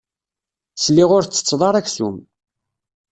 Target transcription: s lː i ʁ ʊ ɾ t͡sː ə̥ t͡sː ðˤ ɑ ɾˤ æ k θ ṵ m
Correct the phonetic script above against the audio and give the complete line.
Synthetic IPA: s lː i ʁ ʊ ɾ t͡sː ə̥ t͡sː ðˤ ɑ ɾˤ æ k θ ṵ m